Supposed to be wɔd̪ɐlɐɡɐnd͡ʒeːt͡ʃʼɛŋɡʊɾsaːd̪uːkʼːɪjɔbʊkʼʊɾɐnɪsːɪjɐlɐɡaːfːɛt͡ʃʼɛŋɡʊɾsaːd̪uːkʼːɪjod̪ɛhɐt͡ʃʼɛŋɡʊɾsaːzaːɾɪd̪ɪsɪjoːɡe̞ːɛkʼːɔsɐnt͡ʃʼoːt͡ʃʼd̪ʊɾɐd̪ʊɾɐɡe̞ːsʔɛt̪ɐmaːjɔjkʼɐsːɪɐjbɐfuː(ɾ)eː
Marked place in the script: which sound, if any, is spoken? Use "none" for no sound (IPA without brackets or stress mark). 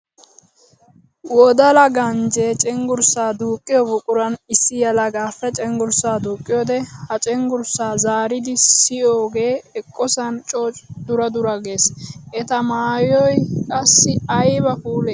l